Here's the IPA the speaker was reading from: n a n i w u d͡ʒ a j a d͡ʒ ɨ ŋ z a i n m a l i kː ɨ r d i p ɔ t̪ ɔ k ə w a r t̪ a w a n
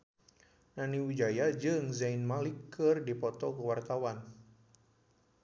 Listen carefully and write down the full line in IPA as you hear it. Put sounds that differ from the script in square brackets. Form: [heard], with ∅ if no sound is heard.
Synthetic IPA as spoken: n a n i w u d͡ʒ a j a d͡ʒ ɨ ŋ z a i n m a l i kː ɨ r d i p ɔ t̪ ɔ k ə w a r t̪ a w a n